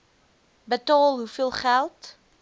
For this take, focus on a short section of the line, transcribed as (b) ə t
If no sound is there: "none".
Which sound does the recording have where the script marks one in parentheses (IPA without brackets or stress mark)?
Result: b